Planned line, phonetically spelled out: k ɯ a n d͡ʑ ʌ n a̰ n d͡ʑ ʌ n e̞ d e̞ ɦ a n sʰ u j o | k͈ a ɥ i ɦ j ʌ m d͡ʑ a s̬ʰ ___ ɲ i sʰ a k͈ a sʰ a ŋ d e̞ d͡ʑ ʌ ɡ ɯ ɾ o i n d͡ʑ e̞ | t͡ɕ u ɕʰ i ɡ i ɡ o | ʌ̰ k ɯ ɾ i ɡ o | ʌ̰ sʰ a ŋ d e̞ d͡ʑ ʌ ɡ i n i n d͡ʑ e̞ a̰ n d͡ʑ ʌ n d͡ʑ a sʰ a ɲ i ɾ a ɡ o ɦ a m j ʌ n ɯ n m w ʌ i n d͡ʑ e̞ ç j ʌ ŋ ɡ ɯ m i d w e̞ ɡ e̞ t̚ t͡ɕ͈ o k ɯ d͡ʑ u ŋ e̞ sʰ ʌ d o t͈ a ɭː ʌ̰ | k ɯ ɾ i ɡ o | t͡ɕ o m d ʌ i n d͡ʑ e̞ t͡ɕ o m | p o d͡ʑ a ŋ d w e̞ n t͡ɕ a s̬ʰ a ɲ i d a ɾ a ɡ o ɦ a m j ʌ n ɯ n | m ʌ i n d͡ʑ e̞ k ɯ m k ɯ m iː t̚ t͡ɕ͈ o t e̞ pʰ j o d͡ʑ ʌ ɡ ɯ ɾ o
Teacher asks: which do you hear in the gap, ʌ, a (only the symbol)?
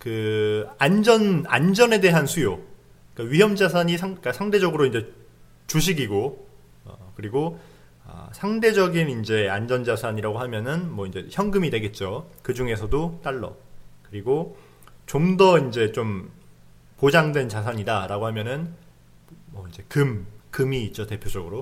a